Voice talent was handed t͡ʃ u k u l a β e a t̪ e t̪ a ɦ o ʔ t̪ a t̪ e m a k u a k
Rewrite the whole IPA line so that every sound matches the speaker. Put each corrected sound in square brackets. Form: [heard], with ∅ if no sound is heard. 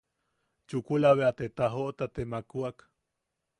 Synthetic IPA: t͡ʃ u k u l a β e a t̪ e t̪ a ɦ o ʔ t̪ a t̪ e m a k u a k